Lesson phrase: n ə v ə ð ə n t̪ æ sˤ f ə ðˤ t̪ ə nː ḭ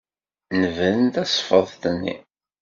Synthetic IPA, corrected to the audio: n ə v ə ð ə n t̪ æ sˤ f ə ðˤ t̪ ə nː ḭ